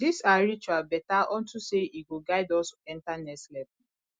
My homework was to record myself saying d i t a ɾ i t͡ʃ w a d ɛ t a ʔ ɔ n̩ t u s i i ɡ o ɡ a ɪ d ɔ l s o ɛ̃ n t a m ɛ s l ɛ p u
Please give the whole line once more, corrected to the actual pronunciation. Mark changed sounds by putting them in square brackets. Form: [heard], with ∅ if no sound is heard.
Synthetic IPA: d i [s] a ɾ i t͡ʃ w a [b] ɛ t a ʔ ɔ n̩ t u s [e] i ɡ o ɡ a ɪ d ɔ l s o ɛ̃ n t a [n] ɛ s l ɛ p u

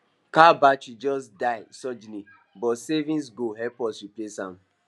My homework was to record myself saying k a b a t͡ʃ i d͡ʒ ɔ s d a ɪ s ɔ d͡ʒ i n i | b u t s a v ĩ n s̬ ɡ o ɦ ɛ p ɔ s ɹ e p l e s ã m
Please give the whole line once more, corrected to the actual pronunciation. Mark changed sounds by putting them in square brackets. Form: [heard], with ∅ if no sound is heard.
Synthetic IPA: k a b a t͡ʃ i d͡ʒ ɔ s d a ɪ s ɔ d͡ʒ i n i | b [ɔ] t s [e] v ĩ n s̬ ɡ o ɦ ɛ p ɔ s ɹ [i] p l e s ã m

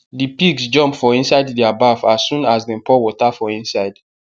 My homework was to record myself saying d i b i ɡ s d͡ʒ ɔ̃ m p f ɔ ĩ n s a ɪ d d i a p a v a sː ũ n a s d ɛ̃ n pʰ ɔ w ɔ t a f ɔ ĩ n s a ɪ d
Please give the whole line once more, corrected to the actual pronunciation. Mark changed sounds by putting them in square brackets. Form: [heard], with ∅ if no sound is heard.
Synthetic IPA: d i [p] i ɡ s d͡ʒ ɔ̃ m p f ɔ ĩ n s a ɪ d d i a [b] a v a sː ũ n a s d ɛ̃ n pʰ ɔ w ɔ t a f ɔ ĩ n s a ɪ d

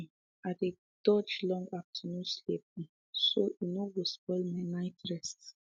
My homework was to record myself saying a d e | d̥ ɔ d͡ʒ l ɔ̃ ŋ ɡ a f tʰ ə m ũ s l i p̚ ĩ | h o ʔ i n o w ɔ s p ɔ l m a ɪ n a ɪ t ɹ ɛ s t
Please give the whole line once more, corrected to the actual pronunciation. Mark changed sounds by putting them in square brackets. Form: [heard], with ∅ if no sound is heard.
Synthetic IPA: a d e | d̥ ɔ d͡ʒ l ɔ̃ ŋ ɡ a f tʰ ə [n] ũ s l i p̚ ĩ | [s] o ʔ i n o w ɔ s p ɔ l m a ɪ n a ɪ t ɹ ɛ s t

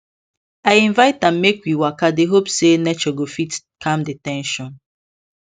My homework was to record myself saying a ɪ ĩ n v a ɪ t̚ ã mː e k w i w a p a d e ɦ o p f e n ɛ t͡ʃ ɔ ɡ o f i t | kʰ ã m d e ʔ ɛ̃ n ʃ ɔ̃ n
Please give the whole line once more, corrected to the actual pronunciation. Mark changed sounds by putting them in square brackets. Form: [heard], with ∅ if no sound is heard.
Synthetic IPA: a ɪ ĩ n v a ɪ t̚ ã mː e k w i w a [k] a d e ɦ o p [s] e n ɛ t͡ʃ ɔ ɡ o f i t | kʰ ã m d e [t] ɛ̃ n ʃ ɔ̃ n

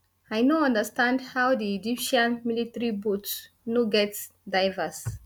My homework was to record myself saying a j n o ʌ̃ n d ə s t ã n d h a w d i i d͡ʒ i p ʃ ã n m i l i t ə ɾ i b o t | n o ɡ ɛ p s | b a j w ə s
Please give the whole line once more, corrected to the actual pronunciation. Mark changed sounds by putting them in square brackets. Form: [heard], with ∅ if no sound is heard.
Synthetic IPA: a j n o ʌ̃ n d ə s t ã n d h a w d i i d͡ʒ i p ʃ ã n m i l i t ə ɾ i b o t | n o ɡ ɛ [t] s | [d] a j [v] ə s

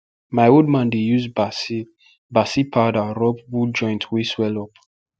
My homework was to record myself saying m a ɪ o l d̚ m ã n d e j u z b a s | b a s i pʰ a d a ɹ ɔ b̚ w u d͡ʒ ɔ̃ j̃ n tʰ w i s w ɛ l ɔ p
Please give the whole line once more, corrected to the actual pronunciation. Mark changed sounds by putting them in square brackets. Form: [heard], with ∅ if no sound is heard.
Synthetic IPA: m a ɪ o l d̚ m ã n d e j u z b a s | b a s i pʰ a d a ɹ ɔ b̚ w u d͡ʒ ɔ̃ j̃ n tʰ w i s w ɛ l ɔ p

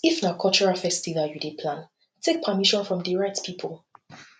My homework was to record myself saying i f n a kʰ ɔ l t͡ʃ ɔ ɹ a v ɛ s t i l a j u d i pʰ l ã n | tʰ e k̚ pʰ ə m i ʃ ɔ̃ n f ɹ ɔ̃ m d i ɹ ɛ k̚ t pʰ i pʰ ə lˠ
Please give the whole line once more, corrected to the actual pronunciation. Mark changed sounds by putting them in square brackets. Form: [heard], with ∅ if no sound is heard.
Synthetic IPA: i f n a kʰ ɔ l t͡ʃ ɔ ɹ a [f] ɛ s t i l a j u d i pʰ l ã n | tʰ e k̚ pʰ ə m i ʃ ɔ̃ n f ɹ ɔ̃ m d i ɹ ɛ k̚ t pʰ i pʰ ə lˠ

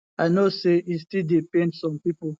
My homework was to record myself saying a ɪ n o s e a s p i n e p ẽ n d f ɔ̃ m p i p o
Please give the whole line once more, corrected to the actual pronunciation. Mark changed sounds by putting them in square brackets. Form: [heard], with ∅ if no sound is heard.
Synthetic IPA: a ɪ n o s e [i] s [t] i [d] e p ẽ n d [s] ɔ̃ m p i p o

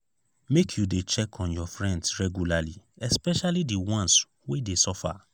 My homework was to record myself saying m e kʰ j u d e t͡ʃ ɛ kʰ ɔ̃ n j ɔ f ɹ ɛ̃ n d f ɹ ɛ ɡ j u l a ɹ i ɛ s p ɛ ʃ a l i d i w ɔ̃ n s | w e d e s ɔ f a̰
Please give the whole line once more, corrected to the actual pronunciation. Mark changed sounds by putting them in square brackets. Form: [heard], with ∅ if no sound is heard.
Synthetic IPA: m e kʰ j u d e t͡ʃ ɛ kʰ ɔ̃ n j ɔ f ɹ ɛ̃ n d [s] ɹ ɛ ɡ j u l a [l] i ɛ s p ɛ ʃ a l i d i w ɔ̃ n s | w e d e s ɔ f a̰

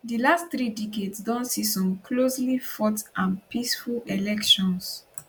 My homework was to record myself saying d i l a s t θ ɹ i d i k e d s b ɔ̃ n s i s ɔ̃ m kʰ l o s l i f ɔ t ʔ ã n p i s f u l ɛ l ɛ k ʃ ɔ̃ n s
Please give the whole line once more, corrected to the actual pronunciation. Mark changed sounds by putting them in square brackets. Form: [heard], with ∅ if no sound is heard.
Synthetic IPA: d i l a s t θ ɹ i d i k e d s [d] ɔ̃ n s i s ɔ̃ m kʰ l o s l i f ɔ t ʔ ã n p i s f u l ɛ l ɛ k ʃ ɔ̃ n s

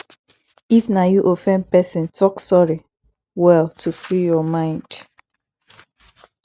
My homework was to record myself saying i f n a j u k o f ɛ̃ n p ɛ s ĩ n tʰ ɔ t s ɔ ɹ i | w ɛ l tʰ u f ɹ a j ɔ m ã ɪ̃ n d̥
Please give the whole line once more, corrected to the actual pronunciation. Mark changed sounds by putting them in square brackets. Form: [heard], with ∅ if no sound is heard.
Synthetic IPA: i f n a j u [ʔ] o f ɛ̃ n p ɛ s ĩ n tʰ ɔ [k] s ɔ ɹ i | w ɛ l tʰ u f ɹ [i] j ɔ m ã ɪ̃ n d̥

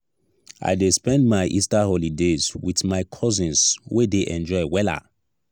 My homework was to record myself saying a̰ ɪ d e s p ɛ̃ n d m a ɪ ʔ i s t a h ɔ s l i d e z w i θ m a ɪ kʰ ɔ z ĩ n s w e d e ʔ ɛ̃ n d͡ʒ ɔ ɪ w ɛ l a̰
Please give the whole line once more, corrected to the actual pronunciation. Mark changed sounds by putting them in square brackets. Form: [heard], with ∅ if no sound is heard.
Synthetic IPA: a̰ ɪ d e s p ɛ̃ n d m a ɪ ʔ i s t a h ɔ [∅] l i d e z w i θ m a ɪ kʰ ɔ z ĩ n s w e d e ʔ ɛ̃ n d͡ʒ ɔ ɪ w ɛ l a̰

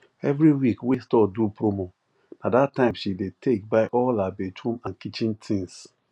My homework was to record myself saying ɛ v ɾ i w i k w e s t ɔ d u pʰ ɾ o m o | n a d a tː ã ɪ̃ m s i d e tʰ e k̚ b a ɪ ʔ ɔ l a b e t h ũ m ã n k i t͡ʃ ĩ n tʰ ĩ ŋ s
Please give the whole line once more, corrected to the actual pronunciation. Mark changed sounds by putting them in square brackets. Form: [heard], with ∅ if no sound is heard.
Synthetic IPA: ɛ v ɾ i w i k w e s t ɔ d u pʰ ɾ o m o | n a d a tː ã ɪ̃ m [ʃ] i d e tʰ e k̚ b a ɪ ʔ ɔ l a b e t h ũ m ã n k i t͡ʃ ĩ n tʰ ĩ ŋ s

